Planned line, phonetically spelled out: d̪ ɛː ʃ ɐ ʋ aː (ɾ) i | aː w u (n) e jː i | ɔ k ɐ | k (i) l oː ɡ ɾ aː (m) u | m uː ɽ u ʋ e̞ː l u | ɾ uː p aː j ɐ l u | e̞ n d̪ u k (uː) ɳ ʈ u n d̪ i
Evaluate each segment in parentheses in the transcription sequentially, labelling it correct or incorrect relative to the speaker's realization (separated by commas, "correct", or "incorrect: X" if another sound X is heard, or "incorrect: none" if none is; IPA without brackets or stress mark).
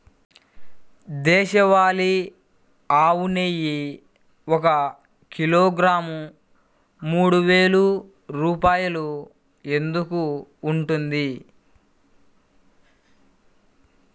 incorrect: l, correct, correct, correct, correct